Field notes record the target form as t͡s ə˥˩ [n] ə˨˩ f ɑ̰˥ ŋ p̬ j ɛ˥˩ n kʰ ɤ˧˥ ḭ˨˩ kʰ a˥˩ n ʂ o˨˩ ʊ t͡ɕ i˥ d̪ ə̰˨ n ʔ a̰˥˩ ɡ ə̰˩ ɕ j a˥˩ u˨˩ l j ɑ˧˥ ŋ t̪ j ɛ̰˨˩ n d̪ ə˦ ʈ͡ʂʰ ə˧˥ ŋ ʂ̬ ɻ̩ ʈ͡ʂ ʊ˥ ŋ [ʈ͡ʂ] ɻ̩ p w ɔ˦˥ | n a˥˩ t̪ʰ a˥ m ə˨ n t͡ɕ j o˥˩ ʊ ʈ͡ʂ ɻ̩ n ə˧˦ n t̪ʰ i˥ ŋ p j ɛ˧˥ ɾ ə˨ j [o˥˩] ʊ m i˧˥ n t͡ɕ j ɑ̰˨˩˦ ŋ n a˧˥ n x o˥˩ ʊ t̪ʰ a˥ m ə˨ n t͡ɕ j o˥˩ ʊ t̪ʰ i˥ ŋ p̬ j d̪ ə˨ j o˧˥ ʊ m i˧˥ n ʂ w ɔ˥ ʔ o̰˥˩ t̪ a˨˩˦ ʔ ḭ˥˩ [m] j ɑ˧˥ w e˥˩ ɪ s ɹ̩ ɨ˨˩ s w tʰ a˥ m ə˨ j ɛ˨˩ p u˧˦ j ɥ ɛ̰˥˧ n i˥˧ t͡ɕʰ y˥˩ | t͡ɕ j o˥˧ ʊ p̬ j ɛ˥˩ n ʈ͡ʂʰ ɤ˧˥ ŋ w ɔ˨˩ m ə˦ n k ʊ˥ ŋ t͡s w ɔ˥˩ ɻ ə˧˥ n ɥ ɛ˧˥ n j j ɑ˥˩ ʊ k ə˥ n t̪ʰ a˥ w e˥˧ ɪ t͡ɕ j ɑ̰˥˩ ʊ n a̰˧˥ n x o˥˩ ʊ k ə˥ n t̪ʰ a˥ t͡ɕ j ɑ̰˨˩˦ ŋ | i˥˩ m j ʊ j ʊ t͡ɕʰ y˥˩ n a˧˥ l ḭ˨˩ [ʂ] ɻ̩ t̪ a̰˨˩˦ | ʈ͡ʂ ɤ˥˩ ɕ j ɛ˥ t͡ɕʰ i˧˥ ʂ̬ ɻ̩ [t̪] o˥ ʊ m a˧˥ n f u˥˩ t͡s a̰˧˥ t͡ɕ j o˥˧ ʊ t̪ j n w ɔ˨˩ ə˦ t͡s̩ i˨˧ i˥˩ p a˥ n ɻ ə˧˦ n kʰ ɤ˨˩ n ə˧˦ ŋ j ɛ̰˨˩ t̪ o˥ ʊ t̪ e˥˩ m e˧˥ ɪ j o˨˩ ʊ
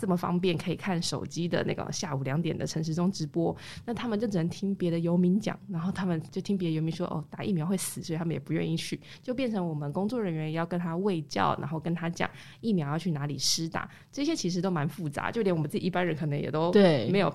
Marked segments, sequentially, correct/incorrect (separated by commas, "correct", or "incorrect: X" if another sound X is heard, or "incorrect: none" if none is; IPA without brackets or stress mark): incorrect: m, correct, incorrect: o˧˥, correct, correct, correct